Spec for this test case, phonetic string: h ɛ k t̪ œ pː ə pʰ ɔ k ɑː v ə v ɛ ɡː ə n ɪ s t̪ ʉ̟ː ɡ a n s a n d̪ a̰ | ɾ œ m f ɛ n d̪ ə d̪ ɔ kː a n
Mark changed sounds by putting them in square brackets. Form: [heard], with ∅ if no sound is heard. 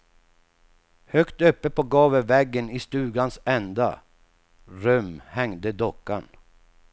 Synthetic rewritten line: h [œ] k t̪ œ pː ə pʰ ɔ [ɡ] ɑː v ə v ɛ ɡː ə n ɪ s t̪ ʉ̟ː ɡ a n s [ɛ] n d̪ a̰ | ɾ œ m [h] ɛ [ŋ] d̪ ə d̪ ɔ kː a n